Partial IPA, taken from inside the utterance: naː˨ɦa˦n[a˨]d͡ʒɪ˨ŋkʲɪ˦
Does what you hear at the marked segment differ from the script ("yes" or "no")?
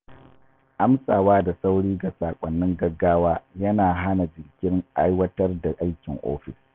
no